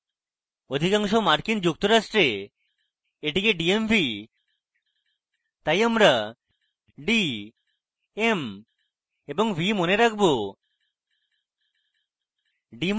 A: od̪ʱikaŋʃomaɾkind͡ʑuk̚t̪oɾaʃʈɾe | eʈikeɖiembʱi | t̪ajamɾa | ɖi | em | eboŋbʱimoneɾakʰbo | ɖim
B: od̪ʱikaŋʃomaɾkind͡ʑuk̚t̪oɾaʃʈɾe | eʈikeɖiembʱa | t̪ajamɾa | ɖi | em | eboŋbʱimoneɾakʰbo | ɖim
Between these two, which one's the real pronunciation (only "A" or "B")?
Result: A